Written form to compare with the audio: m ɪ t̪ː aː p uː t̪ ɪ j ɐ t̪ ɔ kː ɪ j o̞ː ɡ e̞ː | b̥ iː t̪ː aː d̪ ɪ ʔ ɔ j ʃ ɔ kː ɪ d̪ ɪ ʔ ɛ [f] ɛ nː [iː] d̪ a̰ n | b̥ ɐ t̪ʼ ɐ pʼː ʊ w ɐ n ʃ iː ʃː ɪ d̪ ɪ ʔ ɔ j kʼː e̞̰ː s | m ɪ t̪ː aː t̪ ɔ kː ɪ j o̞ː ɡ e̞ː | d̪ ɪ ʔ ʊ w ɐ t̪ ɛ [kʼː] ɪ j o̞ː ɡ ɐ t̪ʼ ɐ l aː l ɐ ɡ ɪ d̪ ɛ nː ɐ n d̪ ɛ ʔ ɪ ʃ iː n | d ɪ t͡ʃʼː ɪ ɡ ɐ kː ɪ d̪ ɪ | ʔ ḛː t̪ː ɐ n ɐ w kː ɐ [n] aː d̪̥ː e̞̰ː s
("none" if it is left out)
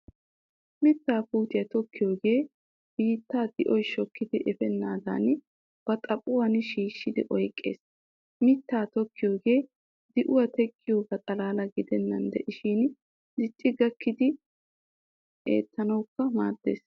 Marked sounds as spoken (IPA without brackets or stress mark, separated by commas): f, aː, kʼː, m